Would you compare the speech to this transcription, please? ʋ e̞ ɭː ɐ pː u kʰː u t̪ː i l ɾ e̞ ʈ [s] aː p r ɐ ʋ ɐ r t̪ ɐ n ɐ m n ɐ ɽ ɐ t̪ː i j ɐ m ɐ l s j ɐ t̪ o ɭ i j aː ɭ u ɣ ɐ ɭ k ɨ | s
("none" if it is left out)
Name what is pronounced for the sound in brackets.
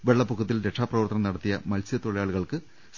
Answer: ʂ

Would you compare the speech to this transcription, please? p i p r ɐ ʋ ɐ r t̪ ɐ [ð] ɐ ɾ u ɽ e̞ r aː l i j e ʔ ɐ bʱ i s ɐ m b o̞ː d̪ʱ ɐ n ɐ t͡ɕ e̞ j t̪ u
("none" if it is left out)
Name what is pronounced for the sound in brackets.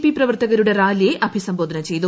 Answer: ɣ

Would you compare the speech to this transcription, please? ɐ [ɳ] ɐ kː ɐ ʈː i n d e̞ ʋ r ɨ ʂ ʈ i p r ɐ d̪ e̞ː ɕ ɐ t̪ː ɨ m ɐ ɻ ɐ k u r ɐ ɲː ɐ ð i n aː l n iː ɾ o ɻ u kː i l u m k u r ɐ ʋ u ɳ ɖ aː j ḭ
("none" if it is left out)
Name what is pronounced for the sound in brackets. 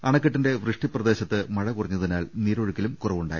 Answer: ɳ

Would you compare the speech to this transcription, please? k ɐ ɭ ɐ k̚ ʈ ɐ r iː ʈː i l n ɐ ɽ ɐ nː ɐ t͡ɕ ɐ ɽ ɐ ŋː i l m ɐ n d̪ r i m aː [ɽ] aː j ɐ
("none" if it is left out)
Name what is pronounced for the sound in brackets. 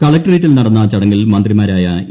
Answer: ɾ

